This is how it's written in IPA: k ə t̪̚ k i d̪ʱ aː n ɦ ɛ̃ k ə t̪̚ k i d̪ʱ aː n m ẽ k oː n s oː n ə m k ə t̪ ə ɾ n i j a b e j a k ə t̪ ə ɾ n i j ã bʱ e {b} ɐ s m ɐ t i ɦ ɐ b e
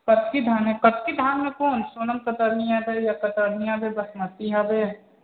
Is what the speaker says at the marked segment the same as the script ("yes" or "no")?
yes